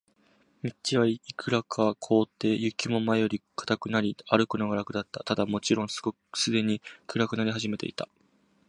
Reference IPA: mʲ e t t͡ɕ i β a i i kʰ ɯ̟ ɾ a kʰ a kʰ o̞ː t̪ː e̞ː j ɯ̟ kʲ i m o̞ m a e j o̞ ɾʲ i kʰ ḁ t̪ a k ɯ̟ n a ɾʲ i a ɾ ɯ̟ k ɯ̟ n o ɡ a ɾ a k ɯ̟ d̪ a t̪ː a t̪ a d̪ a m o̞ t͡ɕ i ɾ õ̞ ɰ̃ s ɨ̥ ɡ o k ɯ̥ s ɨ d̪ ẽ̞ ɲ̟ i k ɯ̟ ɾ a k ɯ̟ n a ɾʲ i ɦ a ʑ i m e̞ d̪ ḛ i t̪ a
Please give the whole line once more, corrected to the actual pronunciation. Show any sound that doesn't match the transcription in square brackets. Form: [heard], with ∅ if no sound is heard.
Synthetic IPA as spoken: mʲ [i] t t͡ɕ i β a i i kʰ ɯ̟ ɾ a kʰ a kʰ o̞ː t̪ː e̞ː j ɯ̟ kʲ i m o̞ m a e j o̞ ɾʲ i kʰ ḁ t̪ a k ɯ̟ n a ɾʲ i a ɾ ɯ̟ k ɯ̟ n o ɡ a ɾ a k ɯ̟ d̪ a t̪ː a t̪ a d̪ a m o̞ t͡ɕ i ɾ õ̞ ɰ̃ s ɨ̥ ɡ o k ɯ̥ s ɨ d̪ [e̞] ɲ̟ i k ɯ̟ ɾ a k ɯ̟ n a ɾʲ i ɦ a ʑ i m e̞ [t̪] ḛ i t̪ a